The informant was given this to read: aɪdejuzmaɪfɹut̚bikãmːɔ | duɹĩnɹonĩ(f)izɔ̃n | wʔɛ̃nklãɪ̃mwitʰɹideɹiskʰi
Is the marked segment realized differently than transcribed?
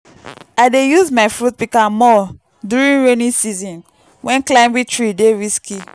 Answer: yes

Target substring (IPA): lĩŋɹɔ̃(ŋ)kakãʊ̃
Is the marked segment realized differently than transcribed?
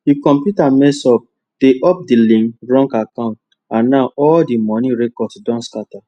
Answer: no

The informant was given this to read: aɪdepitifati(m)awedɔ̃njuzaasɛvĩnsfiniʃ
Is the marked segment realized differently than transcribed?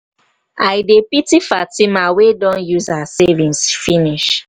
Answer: no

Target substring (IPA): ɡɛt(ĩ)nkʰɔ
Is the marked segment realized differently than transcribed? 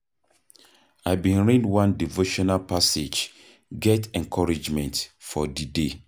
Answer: yes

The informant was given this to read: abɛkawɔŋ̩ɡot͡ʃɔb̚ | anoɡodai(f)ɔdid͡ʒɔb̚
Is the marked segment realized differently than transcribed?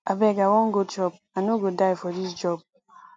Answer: no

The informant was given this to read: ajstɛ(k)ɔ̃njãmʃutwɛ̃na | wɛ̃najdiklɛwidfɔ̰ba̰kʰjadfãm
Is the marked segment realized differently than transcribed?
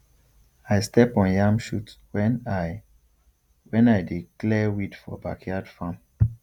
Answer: yes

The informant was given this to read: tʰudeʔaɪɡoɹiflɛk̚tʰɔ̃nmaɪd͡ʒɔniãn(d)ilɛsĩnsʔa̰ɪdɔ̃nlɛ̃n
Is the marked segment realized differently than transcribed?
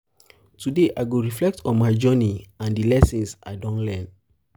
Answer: no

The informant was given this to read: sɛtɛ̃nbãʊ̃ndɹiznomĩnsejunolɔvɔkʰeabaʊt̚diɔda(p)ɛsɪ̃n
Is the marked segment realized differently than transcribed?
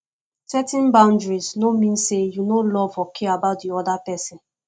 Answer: no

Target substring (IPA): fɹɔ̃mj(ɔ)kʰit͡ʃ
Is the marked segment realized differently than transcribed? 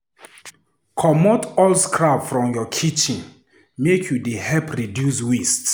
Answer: no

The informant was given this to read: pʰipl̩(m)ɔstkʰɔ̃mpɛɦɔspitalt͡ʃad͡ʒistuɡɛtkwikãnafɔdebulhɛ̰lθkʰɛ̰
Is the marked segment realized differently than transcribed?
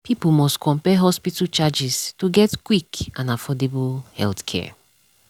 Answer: no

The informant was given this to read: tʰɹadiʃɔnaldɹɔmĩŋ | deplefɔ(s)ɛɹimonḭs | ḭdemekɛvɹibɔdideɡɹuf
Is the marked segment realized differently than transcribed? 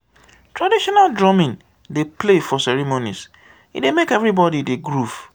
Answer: no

